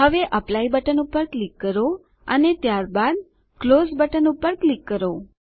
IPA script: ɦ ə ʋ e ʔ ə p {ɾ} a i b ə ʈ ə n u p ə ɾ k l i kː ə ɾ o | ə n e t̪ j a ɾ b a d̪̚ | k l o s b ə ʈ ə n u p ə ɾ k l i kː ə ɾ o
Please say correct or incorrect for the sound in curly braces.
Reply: incorrect